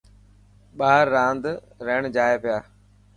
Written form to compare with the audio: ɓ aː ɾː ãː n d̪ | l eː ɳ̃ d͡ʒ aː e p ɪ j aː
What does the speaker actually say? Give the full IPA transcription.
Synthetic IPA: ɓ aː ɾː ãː n d̪ | ɾ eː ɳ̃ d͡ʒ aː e p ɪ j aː